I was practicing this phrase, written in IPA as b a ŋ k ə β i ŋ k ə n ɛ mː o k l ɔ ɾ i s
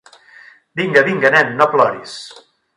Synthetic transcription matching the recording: b i ŋ ɡ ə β i ŋ ɡ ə n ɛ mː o p l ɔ ɾ i s

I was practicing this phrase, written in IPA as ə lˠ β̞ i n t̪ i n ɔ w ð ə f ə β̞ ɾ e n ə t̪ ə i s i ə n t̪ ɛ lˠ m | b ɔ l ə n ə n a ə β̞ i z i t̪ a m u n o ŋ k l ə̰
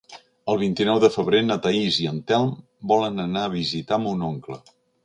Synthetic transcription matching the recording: ə lˠ β̞ i n t̪ i n ɔ w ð ə f ə β̞ ɾ e n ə t̪ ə i z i ə n t̪ ɛ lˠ m | b ɔ l ə n ə n a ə β̞ i z i t̪ a m u n o ŋ k l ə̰

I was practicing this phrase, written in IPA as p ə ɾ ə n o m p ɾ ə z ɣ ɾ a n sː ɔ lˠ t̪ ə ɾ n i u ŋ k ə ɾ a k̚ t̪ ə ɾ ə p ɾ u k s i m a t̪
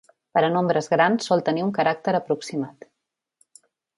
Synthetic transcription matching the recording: p ə ɾ ə n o m b ɾ ə z ɣ ɾ a n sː ɔ lˠ t̪ ə n i u ŋ k ə ɾ a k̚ t̪ ə ɾ ə p ɾ u k s i m a t̪

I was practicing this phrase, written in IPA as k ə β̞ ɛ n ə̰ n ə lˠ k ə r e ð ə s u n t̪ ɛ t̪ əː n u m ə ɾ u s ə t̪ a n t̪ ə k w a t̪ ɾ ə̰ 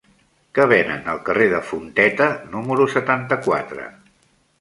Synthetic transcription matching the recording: k ə β̞ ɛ n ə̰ n ə lˠ k ə r e ð ə f u n t̪ ɛ t̪ ə n u m ə ɾ u s ə t̪ a n t̪ ə k w a t̪ ɾ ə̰

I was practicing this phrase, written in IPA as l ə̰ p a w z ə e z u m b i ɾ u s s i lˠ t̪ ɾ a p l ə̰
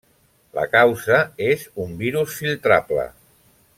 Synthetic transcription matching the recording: l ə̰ k a w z ə e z u m b i ɾ u s f i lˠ t̪ ɾ a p l ə̰

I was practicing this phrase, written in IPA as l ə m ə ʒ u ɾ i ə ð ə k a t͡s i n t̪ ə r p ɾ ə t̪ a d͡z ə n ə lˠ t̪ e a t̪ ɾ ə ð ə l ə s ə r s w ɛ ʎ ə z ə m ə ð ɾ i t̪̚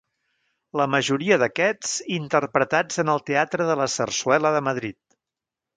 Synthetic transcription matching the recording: l ə m ə ʒ u ɾ i ə ð ə k ɛ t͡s i n t̪ ə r p ɾ ə t̪ a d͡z ə n ə lˠ t̪ e a t̪ ɾ ə ð ə l ə s ə r s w ɛ l ə ð ə m ə ð ɾ i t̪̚

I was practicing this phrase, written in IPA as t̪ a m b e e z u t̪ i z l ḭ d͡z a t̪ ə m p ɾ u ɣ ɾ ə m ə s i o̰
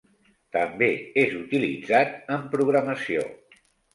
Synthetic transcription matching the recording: t̪ ə m b e e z u t̪ i l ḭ d͡z a t̪ ə m p ɾ u ɣ ɾ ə m ə s i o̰

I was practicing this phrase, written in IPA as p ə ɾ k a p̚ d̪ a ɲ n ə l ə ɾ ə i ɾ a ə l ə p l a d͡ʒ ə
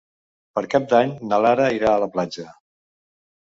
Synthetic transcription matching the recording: p ə ɾ k a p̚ d̪ a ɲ n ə l a ɾ ə i ɾ a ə l ə p l a d͡ʒ ə

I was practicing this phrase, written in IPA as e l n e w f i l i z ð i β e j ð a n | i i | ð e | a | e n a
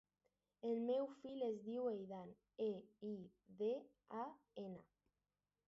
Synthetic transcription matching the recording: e l m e w f i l e z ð i w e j ð a n | e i | ð e | a | e n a

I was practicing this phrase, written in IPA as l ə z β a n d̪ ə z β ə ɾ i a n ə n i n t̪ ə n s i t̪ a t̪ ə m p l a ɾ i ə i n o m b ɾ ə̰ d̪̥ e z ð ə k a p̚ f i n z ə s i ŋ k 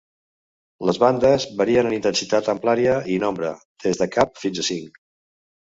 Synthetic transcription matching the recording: l ə z β a n d̪ ə z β ə ɾ i ə n ə n i n t̪ ə n s i t̪ a t̪ ə m p l a ɾ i ə i n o m b ɾ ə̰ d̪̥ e z ð ə k a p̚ f i n z ə s i ŋ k

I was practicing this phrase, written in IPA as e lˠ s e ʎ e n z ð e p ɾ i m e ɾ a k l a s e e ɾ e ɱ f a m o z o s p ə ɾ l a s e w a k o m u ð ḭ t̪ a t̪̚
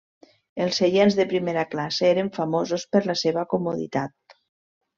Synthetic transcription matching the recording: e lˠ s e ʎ e n z ð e p ɾ i m e ɾ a k l a s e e ɾ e ɱ f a m o z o s p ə ɾ l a s e β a k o m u ð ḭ t̪ a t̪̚

